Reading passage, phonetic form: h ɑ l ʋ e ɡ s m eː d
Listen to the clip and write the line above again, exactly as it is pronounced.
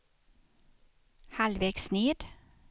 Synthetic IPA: h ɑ l ʋ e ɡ s n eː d